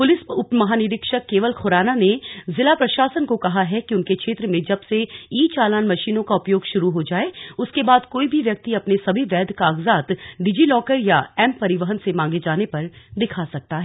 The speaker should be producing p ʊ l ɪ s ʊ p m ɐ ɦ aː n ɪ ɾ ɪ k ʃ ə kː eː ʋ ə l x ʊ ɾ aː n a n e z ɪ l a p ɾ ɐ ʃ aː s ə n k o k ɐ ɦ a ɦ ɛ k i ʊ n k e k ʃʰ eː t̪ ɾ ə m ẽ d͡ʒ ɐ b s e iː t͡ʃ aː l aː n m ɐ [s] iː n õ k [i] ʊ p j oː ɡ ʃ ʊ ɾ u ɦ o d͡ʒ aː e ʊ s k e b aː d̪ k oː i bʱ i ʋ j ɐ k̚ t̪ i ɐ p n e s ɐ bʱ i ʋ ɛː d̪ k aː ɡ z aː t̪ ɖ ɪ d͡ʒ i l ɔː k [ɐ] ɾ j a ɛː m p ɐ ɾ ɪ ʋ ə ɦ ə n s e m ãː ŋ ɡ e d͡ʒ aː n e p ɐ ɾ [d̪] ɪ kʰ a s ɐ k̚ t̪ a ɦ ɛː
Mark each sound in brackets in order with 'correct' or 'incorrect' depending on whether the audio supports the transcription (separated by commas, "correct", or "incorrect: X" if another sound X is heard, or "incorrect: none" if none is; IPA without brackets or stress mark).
incorrect: ʃ, incorrect: a, incorrect: ə, correct